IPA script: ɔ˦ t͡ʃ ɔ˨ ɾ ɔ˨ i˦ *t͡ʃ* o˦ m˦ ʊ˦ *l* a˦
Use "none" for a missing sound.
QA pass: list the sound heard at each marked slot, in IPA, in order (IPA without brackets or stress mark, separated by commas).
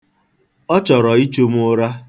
t͡ʃ, ɾ